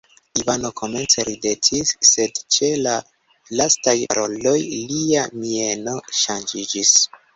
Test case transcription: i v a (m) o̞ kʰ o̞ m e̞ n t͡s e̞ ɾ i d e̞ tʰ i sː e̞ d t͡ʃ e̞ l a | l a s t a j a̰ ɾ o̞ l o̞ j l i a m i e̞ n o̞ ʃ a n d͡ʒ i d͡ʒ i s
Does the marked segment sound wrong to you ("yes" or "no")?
yes